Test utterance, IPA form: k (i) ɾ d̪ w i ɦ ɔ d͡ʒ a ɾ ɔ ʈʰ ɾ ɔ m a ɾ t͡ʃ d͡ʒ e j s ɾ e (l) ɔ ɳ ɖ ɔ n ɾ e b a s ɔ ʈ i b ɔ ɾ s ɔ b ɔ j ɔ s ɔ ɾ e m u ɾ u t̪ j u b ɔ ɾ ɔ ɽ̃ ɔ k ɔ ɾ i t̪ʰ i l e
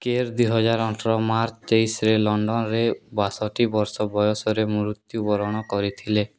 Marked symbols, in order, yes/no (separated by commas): no, yes